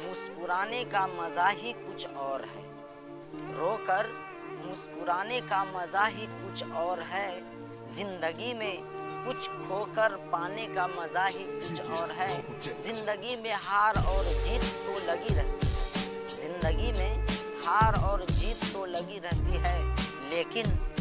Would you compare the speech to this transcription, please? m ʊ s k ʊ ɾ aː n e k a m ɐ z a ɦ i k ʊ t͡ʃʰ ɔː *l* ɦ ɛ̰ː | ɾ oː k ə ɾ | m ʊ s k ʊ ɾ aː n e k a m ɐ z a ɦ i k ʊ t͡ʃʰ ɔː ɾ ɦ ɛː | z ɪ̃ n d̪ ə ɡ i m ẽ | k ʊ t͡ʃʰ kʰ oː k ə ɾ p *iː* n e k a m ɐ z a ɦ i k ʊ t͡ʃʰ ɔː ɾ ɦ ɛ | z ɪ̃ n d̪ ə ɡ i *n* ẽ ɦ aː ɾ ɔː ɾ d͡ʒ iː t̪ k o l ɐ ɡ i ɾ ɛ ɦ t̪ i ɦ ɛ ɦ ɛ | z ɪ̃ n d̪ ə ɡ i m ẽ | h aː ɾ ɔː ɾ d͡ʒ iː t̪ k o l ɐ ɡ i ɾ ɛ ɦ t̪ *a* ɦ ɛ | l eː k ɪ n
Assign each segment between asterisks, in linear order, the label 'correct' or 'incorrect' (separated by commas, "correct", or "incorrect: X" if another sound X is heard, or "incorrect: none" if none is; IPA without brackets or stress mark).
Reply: incorrect: ɾ, incorrect: aː, incorrect: m, incorrect: i